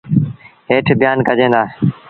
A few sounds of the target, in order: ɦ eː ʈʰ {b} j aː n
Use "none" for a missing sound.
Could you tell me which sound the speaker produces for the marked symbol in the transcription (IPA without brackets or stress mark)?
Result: b